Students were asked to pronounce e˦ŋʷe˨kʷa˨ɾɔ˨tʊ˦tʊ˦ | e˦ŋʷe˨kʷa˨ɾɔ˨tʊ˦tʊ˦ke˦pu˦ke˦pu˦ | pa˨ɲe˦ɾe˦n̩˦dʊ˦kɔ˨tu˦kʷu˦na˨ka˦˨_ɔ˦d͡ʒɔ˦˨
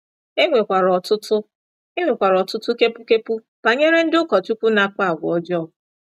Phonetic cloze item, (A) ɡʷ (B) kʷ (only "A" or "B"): A